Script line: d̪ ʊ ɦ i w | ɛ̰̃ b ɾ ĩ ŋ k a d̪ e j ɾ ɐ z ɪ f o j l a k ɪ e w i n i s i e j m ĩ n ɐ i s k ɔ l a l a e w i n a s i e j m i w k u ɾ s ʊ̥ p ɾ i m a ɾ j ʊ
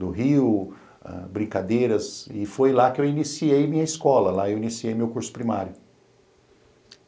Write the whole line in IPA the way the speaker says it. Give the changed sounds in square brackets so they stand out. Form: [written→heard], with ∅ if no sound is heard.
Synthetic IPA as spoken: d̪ ʊ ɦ i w | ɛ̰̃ b ɾ ĩ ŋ k a d̪ e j ɾ ɐ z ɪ f o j l a k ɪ e w i n i s i e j m ĩ [n→ɲ] ɐ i s k ɔ l [a→ɐ] l a e w i n [a→i] s i e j m [i→e] w k u ɾ s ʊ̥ p ɾ i m a ɾ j ʊ